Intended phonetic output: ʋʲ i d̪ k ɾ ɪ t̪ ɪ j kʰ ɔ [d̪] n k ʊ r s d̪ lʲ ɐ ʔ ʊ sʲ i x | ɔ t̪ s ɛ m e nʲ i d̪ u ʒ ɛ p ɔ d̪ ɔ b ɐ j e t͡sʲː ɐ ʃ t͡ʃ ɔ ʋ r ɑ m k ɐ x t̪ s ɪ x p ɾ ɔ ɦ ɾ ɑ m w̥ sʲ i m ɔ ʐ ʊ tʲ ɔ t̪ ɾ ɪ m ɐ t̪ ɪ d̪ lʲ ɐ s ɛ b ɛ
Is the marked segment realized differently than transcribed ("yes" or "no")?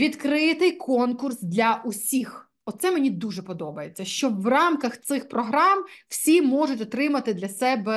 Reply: yes